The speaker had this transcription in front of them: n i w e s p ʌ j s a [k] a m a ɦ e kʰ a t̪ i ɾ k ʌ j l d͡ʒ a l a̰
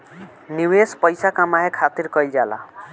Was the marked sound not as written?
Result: no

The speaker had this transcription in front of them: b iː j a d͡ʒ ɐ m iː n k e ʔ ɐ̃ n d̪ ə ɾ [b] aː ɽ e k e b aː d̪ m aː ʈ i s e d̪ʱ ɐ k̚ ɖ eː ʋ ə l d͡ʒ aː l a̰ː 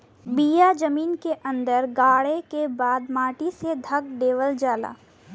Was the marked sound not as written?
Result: yes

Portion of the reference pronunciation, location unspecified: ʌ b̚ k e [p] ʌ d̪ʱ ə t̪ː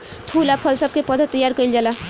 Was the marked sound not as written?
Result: no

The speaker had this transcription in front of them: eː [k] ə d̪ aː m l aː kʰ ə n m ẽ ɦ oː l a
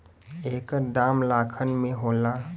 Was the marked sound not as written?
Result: no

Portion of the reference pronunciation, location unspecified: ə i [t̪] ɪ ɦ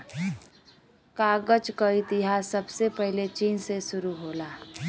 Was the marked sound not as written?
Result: no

